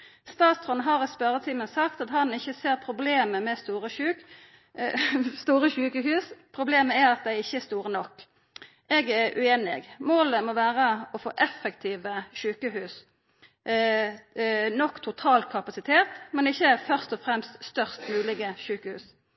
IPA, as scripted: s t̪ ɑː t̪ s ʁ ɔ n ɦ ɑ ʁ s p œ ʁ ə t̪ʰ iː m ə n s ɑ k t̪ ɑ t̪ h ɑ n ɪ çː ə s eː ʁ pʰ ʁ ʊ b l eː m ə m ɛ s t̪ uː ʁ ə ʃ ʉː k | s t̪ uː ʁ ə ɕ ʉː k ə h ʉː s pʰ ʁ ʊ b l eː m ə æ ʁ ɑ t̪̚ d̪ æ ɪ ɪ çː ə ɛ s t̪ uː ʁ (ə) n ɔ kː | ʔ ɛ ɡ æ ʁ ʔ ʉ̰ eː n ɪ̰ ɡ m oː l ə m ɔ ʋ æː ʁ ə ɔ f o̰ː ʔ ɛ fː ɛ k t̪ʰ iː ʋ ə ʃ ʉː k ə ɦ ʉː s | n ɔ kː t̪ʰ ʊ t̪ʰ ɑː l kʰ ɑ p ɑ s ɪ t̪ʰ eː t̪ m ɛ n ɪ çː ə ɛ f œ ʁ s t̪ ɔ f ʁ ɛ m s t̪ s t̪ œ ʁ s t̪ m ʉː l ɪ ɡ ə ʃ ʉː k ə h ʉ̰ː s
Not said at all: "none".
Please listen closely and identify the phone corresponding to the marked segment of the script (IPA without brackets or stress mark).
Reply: ə